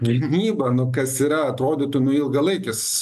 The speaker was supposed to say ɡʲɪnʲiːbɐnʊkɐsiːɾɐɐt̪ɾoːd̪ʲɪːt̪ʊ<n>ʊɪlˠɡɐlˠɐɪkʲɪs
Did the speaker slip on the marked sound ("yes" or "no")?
no